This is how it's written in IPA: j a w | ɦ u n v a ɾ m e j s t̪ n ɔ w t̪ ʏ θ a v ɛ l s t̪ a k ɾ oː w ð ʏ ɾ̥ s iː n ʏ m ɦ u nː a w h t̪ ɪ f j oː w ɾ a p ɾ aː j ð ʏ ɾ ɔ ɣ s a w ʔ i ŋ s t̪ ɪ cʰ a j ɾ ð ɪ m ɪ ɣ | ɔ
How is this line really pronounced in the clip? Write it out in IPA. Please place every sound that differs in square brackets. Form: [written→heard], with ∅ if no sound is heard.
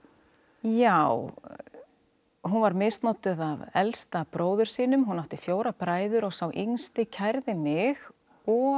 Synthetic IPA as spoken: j a w | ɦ u n v a ɾ m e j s t̪ n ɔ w t̪ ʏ [θ→ð] a v ɛ l s t̪ a [k→p] ɾ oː w ð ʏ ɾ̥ s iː n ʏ m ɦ u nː a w h t̪ ɪ f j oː w ɾ a p ɾ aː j ð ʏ ɾ ɔ ɣ s a w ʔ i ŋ s t̪ ɪ cʰ a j ɾ ð ɪ m ɪ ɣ | ɔ